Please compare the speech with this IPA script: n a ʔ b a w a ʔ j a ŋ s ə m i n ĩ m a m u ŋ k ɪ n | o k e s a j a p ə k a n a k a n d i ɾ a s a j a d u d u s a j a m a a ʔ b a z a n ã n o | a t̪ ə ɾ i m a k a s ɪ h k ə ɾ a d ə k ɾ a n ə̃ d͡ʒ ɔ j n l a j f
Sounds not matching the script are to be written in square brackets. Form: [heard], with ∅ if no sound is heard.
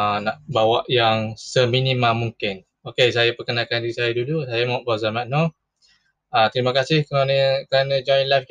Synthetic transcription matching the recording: n a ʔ b a w a ʔ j a ŋ s ə m i n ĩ m a m u ŋ k ɪ n | o k e s a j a p ə k [ə] n a k a n d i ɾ [i] s a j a d u d u s a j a m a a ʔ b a z a [m] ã n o | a t̪ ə ɾ i m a k a s ɪ h k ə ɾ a [n] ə k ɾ a n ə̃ d͡ʒ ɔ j n l a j f